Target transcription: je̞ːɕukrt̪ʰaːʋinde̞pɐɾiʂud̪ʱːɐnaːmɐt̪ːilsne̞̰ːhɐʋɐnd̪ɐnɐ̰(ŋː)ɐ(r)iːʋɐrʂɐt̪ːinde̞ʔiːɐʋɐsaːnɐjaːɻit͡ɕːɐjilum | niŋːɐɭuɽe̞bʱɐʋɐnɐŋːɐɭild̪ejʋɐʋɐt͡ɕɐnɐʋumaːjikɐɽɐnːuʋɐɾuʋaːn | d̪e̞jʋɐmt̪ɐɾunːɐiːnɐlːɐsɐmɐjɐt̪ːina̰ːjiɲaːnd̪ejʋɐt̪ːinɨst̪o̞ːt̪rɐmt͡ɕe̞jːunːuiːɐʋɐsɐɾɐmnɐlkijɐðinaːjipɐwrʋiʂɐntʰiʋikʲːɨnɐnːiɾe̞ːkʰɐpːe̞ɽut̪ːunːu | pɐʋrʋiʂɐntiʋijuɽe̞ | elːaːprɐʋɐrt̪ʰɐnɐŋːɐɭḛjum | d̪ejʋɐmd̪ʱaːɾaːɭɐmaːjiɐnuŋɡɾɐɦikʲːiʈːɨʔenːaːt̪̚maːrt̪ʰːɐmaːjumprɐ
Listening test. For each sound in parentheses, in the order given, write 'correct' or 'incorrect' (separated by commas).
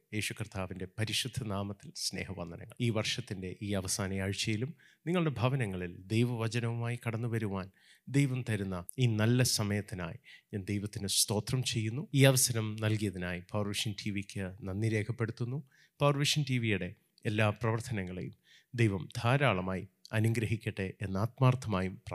correct, incorrect